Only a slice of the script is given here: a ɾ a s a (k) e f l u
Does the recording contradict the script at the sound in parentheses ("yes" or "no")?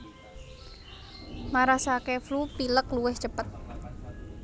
no